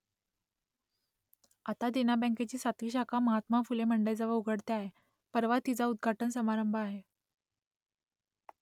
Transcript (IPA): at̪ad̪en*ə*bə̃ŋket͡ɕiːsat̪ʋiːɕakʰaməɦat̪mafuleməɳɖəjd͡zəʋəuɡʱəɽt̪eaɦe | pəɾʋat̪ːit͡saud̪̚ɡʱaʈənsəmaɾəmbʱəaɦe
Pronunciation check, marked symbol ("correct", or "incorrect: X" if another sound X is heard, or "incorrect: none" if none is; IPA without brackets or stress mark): incorrect: a